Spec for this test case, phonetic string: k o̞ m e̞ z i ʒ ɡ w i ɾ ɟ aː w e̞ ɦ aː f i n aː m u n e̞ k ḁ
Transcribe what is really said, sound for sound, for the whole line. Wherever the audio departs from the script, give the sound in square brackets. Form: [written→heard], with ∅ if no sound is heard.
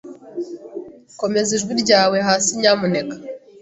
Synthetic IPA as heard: k o̞ m e̞ z i ʒ ɡ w i ɾ ɟ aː w e̞ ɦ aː [f→s] i [n→ɲ] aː m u n e̞ k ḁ

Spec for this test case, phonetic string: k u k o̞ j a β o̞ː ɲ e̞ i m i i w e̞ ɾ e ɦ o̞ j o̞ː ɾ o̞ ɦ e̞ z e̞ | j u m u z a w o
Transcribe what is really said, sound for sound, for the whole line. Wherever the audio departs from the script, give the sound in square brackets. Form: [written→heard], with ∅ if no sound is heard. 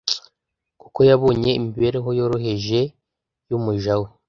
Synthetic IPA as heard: k u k o̞ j a β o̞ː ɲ e̞ i m i i [w→β] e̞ ɾ e ɦ o̞ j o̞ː ɾ o̞ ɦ e̞ [z→ʒ] e̞ | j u m u [z→ʒ] a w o

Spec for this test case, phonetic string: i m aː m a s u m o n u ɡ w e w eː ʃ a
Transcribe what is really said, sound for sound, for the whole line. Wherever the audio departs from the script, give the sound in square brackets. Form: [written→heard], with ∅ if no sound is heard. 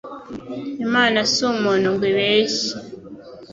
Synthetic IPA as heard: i m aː [m→n] a s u m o n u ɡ w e [w→β] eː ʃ [a→i]

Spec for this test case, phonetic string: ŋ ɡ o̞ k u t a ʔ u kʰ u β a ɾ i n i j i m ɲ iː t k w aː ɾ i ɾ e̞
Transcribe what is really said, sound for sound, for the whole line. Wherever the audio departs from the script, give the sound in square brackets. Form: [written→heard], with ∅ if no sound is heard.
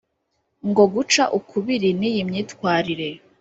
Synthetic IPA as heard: ŋ ɡ o̞ [k→ɡ] u [t→t͡ʃ] a ʔ u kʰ u β [a→i] ɾ i n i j i m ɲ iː t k w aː ɾ i ɾ e̞

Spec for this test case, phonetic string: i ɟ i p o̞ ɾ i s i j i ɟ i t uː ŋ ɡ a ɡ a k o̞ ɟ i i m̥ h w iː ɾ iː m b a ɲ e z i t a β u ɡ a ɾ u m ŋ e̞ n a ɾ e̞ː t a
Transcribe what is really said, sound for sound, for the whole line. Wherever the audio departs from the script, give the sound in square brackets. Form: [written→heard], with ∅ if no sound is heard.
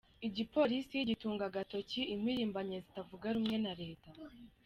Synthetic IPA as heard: i ɟ i p o̞ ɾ i s i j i ɟ i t uː ŋ ɡ a ɡ a [k→t] o̞ [ɟ→c] i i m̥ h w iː ɾ iː m b a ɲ e z i t a [β→v] u ɡ a ɾ u m ŋ e̞ n a ɾ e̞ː t a

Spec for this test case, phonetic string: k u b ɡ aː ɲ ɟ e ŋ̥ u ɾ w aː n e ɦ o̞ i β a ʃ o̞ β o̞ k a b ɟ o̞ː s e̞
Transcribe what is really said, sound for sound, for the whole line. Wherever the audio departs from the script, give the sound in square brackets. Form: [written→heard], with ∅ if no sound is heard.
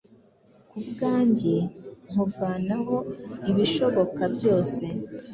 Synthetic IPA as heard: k u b ɡ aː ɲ ɟ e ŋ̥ u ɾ [w→v] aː n [e→a] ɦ o̞ i β [a→i] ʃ o̞ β o̞ k a b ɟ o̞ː s e̞

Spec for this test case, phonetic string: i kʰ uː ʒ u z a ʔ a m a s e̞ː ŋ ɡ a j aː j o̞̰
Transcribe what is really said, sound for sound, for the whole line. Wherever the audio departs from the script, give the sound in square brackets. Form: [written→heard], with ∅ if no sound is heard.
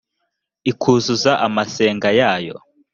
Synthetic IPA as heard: i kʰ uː [ʒ→z] u z a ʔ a m a s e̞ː ŋ ɡ a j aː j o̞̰

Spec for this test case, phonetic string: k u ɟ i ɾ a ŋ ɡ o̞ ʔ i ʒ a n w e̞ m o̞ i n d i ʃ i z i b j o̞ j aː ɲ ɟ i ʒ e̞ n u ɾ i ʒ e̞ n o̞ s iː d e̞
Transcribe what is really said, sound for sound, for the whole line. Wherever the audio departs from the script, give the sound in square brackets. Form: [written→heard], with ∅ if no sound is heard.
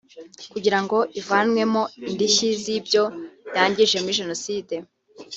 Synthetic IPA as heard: k u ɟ i ɾ a ŋ ɡ o̞ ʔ i [ʒ→v] a n w e̞ m o̞ i n d i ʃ i z i b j o̞ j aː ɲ ɟ i ʒ e̞ [n→m] u ɾ i ʒ e̞ n o̞ s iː d e̞

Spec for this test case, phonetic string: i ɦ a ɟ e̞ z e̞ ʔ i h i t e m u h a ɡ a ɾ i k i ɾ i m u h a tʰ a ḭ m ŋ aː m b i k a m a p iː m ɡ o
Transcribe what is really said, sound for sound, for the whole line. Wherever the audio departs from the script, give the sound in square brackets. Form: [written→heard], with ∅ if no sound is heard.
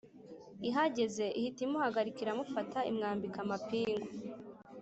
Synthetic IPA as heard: i ɦ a ɟ e̞ z e̞ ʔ i h i t [e→i] m u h a ɡ a ɾ i k i ɾ [i→a] m u [h→f] a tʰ a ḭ m ŋ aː m b i k a m a p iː [m→ŋ] ɡ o

